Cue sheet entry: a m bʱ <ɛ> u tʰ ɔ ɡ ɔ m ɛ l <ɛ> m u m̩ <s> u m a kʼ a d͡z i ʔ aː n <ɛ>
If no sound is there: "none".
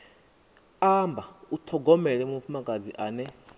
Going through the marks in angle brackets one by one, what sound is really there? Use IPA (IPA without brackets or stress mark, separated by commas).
a, ɛ, f, ɛ